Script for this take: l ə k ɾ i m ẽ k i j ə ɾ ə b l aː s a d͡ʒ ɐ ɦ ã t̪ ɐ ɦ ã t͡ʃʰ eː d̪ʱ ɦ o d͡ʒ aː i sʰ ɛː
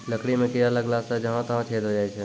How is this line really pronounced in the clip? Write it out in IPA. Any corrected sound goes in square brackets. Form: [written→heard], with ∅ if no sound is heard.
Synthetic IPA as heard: l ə k [ɾ→ɽ] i m ẽ k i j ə [ɾ→l] ə [b→ɡ] l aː s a d͡ʒ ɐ ɦ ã t̪ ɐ ɦ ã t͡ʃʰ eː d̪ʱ ɦ o d͡ʒ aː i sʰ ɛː